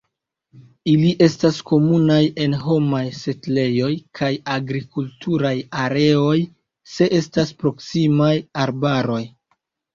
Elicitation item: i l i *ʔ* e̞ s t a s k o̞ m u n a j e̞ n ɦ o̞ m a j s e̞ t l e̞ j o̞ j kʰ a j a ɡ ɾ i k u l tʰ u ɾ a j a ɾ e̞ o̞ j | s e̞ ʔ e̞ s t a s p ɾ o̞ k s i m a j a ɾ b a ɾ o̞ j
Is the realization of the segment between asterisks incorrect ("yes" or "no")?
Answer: no